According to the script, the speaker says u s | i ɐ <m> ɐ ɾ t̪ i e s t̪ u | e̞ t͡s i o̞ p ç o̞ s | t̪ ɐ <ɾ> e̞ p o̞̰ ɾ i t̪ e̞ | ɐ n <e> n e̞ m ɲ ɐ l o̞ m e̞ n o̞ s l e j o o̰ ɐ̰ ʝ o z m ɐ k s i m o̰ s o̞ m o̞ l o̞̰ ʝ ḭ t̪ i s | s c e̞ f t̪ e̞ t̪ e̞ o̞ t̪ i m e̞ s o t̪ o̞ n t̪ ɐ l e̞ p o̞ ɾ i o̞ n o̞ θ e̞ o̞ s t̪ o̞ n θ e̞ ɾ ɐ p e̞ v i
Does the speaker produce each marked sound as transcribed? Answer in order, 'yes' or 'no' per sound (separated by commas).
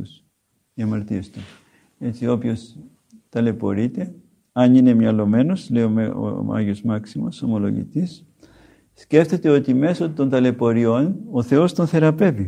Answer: yes, no, no